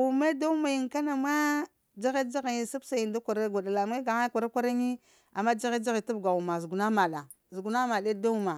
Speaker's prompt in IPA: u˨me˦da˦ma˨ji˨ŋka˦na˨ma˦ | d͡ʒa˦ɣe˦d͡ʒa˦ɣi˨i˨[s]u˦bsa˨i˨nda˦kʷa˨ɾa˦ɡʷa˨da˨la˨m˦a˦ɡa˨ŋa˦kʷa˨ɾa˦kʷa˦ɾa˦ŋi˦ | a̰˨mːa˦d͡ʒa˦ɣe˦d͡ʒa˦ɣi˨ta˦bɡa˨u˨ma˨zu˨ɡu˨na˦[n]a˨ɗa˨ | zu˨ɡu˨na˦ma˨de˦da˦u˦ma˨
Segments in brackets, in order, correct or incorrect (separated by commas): correct, incorrect